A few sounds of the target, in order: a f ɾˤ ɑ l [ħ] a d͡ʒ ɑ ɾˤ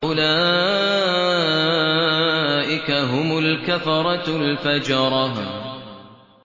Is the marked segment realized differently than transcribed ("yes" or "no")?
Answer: yes